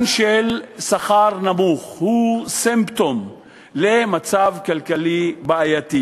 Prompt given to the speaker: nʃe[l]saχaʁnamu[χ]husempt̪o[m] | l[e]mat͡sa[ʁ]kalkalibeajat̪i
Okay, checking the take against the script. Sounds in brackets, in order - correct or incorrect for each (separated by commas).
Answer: correct, correct, correct, correct, incorrect